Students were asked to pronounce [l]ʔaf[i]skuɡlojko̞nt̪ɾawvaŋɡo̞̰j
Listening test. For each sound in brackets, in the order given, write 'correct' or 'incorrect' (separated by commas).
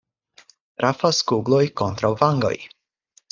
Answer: incorrect, incorrect